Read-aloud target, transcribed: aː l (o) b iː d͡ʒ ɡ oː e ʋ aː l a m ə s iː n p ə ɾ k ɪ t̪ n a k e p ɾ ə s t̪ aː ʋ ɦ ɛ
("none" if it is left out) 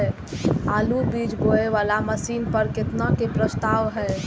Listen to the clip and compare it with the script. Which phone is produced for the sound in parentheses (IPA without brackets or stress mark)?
u